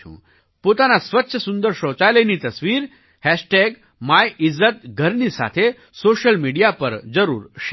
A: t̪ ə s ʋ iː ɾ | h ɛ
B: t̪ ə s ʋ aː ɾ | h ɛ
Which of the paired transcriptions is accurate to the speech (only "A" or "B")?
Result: A